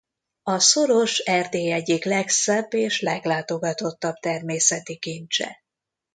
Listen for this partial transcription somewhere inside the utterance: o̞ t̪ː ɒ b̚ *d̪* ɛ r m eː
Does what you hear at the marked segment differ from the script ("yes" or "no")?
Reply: yes